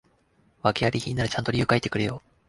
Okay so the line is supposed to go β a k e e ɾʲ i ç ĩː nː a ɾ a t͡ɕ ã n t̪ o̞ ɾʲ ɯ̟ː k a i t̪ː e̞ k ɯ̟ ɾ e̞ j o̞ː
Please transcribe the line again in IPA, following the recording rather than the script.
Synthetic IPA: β a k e a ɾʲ i ç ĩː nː a ɾ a t͡ɕ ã n t̪ o̞ ɾʲ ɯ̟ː k a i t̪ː e̞ k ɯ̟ ɾ e̞ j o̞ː